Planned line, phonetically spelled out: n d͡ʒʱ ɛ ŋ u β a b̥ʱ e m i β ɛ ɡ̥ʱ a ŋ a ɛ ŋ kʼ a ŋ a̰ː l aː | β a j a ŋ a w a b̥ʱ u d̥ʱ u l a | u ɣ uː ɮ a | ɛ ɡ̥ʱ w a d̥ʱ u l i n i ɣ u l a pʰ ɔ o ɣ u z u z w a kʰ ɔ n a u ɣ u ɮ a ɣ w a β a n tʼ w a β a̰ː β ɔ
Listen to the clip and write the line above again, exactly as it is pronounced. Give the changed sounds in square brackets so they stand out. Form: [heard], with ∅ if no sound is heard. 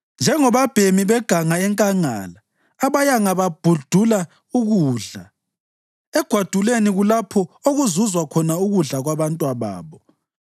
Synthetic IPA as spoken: n d͡ʒʱ ɛ ŋ [ɔ] β a b̥ʱ e m i β ɛ ɡ̥ʱ a ŋ a ɛ ŋ kʼ a ŋ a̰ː l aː | β a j a ŋ a [β] a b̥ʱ u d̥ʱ u l a | u ɣ uː ɮ a | ɛ ɡ̥ʱ w a d̥ʱ u l [e] n i ɣ u l a pʰ ɔ o ɣ u z u z w a kʰ ɔ n a u ɣ u ɮ a ɣ w a β a n tʼ w a β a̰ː β ɔ